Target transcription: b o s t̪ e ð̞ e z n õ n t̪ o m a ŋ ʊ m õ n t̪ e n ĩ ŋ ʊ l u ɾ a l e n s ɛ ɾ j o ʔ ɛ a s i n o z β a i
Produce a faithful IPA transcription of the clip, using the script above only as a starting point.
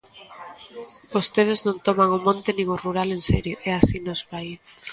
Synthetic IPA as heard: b o s t̪ e ð̞ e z n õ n t̪ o m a ŋ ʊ m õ n t̪ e n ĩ ŋ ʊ r u ɾ a l e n s ɛ ɾ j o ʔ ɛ a s i n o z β a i

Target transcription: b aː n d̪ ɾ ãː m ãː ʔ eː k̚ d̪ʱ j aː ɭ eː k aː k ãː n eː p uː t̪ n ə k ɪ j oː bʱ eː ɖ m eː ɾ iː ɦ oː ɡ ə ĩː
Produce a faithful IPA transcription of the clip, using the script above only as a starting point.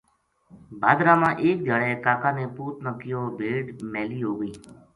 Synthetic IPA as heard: b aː d̪ ɾ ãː m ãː ʔ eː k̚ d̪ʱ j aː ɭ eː k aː k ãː n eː p uː t̪ n ə k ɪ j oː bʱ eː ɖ m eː l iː ɦ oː ɡ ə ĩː

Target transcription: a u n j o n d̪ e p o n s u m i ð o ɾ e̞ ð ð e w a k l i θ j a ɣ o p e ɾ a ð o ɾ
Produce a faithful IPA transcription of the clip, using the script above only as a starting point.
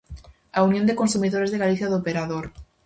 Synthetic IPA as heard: a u n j o n d̪ e k o n s u m i ð o ɾ e̞ z ð e ɣ a l i θ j a ð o p e ɾ a ð o ɾ

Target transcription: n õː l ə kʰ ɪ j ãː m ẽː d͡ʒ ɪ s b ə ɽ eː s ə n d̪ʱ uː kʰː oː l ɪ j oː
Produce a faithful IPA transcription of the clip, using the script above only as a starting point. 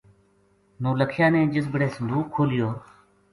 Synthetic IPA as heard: n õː l ə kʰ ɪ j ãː n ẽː d͡ʒ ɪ s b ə ɽ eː s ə n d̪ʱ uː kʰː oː l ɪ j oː

